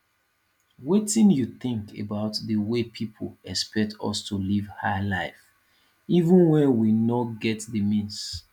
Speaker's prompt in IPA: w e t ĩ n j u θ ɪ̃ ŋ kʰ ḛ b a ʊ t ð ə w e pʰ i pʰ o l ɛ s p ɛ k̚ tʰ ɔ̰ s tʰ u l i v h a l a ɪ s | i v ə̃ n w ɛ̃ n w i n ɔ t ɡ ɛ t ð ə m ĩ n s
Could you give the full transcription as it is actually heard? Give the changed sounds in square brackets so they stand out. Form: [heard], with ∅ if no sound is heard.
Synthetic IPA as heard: w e t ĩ n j u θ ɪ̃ ŋ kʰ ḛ b a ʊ t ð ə w e pʰ i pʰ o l ɛ s p ɛ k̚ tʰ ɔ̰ s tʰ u l i v h a l a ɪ [f] | i v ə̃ n w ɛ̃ n w i n ɔ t ɡ ɛ t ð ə m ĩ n s